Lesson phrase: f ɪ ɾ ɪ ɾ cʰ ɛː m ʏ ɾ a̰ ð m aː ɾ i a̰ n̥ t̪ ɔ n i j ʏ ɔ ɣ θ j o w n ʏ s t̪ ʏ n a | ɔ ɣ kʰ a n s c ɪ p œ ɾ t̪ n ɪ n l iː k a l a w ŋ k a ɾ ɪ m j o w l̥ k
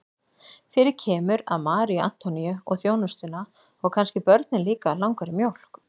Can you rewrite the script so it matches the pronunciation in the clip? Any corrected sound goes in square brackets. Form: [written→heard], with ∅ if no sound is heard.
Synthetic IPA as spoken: f ɪ ɾ ɪ ɾ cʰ ɛː m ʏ ɾ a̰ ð m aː ɾ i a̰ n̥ t̪ ɔ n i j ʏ ɔ ɣ θ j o w n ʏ s t̪ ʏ n a | ɔ ɣ kʰ a n s c ɪ p œ ɾ t̪ n ɪ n l iː k a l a w ŋ k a ɾ ɪ m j o w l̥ k